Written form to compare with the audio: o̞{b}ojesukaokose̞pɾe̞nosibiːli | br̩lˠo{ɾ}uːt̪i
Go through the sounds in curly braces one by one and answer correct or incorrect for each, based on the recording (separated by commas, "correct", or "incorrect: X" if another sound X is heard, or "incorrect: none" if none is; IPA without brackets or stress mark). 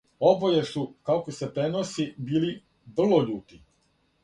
correct, incorrect: ʎ